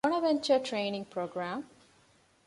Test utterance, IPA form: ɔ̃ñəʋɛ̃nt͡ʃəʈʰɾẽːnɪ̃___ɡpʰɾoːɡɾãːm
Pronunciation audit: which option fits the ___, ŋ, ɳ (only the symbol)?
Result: ŋ